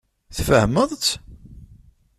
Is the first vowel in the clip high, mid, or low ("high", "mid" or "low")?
mid